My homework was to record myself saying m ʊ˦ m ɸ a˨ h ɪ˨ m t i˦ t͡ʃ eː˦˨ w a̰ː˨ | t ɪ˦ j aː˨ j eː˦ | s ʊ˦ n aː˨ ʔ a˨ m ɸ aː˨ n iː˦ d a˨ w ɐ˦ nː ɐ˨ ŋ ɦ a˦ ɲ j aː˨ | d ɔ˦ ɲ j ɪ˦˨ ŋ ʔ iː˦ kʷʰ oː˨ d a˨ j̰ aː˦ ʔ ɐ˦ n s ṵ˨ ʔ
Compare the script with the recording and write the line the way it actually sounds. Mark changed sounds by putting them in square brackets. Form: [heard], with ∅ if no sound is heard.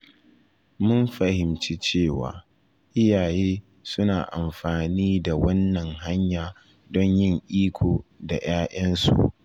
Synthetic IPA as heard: m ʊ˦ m ɸ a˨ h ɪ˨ m [t͡ʃ] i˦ t͡ʃ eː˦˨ w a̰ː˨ | [ʔ] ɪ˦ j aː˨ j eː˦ | s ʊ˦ n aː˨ ʔ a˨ m ɸ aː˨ n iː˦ d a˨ w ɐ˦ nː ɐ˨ ŋ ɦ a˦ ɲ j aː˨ | d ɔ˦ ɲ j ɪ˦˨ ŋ ʔ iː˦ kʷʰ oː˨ d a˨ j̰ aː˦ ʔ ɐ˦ n s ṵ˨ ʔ